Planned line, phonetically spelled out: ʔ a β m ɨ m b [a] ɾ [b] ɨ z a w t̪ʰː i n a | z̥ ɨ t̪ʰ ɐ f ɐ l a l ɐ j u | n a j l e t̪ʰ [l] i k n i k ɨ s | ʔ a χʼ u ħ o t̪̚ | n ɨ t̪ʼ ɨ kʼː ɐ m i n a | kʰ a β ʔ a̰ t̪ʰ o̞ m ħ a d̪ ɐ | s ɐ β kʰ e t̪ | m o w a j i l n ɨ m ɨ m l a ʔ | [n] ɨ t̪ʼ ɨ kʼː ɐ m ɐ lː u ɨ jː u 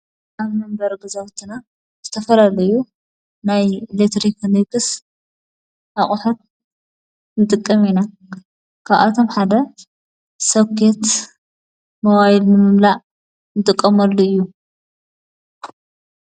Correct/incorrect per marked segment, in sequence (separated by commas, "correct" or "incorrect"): incorrect, incorrect, incorrect, correct